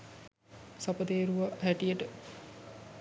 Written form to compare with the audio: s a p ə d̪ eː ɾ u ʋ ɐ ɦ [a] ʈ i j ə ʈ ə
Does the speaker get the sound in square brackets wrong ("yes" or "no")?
yes